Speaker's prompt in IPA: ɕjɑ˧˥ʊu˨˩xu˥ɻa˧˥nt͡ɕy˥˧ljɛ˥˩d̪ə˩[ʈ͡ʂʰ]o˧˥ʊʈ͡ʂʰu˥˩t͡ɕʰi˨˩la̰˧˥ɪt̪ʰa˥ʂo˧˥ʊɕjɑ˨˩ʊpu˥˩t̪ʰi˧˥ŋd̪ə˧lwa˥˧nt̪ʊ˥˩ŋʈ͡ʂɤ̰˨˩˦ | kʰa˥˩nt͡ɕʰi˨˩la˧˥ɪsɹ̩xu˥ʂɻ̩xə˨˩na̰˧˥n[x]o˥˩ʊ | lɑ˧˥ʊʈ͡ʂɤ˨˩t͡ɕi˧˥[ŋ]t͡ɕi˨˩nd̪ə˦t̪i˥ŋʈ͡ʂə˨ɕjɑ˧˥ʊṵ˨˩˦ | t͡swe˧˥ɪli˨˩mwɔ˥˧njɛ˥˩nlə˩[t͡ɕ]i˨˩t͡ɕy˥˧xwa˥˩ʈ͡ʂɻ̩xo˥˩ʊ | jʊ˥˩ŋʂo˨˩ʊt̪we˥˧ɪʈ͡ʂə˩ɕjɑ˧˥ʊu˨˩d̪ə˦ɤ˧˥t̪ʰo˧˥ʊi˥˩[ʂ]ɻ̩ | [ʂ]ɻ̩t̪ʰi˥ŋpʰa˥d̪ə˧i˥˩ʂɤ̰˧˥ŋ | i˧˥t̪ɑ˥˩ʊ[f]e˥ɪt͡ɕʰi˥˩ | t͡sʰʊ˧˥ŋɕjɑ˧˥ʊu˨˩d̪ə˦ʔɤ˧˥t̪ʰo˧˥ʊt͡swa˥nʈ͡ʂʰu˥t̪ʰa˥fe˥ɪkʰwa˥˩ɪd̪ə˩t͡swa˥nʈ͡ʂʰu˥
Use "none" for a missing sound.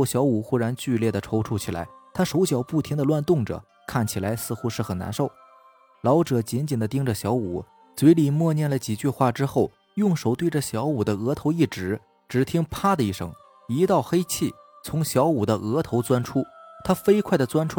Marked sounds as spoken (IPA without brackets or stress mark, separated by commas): ʈ͡ʂʰ, ʂ, n, t͡ɕ, ʈ͡ʂ, ʈ͡ʂ, x